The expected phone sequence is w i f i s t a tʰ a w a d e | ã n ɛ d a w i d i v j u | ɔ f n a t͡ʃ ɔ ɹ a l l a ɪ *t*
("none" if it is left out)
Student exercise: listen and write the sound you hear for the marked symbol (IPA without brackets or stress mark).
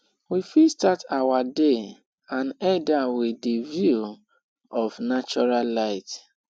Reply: t